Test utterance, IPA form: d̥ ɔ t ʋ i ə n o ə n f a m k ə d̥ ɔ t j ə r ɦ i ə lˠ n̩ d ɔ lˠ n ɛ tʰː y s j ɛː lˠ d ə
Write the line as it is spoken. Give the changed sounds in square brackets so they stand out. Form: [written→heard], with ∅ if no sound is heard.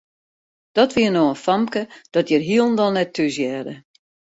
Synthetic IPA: d̥ ɔ t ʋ i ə n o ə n f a m k ə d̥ ɔ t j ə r ɦ i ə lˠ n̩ d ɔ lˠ n ɛ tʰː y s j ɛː [lˠ→∅] d ə